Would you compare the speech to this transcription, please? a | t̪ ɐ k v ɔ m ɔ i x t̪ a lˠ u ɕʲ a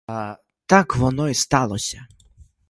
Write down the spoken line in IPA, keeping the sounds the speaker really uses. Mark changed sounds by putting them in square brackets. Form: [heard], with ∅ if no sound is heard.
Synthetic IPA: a | t̪ [a] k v ɔ [n] ɔ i [s] t̪ a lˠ [ɔ] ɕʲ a